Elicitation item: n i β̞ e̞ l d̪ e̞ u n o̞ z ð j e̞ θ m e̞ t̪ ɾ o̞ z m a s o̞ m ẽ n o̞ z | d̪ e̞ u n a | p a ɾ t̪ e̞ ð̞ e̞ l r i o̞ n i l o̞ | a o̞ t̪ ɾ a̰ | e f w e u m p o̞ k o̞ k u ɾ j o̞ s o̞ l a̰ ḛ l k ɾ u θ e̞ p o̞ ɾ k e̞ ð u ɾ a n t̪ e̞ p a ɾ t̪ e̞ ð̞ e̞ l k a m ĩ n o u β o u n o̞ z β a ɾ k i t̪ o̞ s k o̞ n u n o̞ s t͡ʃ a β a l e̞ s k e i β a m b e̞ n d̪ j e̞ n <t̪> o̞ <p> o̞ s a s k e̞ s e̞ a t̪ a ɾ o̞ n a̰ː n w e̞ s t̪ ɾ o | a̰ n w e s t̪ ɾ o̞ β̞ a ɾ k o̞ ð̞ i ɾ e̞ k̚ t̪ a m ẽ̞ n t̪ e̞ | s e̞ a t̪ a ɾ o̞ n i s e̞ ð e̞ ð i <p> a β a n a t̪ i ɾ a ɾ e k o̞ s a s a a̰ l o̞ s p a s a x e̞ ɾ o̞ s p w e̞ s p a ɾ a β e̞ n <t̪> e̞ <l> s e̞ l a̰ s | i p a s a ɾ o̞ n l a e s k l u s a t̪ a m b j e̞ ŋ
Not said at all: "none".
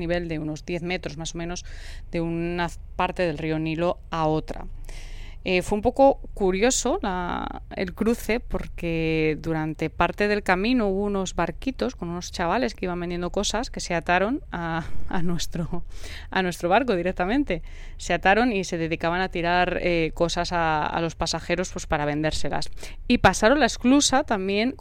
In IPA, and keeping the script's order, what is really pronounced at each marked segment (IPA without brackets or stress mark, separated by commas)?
d̪, k, k, d̪, ɾ